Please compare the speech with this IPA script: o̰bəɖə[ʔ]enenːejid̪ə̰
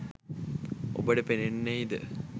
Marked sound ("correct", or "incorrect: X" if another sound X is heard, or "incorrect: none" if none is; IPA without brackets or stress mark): incorrect: p